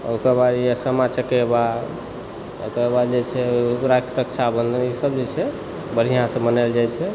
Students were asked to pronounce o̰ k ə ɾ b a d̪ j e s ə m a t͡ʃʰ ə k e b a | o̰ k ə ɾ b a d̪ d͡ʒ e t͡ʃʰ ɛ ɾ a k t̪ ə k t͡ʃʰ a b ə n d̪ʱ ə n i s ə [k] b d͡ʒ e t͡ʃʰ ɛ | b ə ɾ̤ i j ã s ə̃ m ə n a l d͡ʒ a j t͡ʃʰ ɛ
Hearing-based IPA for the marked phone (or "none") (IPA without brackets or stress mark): none